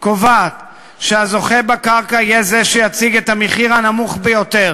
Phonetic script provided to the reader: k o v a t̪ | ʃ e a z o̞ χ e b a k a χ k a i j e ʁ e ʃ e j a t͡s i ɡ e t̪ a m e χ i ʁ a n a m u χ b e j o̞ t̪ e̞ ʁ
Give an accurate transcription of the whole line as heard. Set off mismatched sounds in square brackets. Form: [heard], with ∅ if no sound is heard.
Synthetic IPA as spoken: k o v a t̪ | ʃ e a z o̞ χ e b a k a [ʁ] k a i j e [z] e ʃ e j a t͡s i ɡ e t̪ a m e χ i ʁ a n a m u χ b e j o̞ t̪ e̞ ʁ